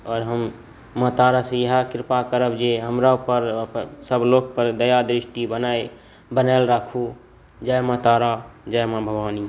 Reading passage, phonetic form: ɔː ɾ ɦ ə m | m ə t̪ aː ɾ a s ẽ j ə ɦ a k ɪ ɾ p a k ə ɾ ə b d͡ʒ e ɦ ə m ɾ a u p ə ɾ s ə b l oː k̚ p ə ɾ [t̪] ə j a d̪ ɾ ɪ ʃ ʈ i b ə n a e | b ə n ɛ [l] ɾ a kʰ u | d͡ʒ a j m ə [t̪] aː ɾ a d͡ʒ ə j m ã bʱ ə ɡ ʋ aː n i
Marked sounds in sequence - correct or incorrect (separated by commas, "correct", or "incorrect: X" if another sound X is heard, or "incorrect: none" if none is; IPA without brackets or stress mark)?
incorrect: d̪, correct, correct